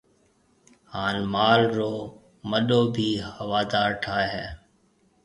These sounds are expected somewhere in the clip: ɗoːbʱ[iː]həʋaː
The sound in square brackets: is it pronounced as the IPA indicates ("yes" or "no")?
yes